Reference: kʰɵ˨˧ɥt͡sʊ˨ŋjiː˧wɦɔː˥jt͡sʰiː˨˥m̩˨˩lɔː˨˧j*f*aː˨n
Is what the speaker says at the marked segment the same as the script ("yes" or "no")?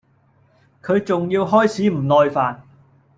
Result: yes